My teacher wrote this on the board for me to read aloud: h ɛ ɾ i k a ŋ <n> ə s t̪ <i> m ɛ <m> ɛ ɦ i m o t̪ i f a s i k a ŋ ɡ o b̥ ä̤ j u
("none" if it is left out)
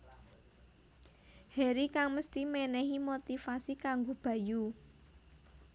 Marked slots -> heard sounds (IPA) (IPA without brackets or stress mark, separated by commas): m, i, n